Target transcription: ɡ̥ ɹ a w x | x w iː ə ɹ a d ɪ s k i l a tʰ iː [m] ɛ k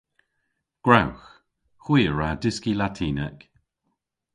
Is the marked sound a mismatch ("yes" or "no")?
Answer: yes